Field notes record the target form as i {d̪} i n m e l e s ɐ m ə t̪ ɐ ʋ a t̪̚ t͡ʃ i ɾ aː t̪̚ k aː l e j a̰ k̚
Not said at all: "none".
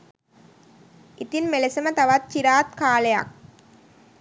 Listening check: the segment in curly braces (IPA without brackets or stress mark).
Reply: t̪